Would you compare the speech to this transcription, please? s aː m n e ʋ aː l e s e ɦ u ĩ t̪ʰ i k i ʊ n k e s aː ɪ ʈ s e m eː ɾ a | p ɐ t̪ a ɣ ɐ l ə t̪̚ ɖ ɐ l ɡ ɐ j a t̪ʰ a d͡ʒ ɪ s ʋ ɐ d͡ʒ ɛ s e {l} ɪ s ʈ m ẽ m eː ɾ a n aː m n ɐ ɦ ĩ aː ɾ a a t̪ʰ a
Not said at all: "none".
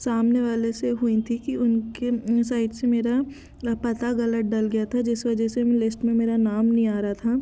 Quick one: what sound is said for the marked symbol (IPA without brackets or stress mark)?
l